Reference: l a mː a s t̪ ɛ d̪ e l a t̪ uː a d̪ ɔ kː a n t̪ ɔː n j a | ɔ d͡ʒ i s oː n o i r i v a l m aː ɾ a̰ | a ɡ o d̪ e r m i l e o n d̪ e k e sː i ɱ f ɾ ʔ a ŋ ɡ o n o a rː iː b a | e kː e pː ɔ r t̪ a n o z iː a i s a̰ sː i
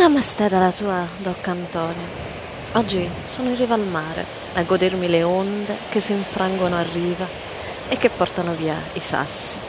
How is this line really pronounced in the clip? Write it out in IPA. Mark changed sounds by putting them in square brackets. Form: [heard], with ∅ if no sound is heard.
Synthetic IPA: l a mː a s t̪ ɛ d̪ [a] l a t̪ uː a d̪ ɔ kː a n t̪ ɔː n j a | ɔ [d͡ʒː] i s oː n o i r i v a l m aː ɾ [ḛ] | a ɡ o d̪ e r m i l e o n d̪ e k e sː i ɱ f ɾ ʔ a ŋ ɡ o n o a rː iː [v] a | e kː e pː ɔ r t̪ a n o [v] iː a i s a̰ sː i